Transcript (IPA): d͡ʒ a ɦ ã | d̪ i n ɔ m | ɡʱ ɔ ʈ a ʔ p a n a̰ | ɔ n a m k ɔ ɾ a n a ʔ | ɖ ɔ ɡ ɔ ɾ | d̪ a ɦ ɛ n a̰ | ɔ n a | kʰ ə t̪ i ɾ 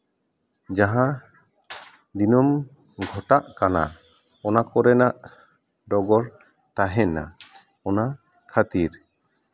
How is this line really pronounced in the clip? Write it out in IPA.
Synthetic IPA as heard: d͡ʒ a ɦ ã | d̪ i n ɔ m | ɡʱ ɔ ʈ a ʔ k a n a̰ | ɔ n a k ɔ ɾ ɛ n a ʔ | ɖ ɔ ɡ ɔ ɾ | t̪ a ɦ ɛ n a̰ | ɔ n a | kʰ a t̪ i ɾ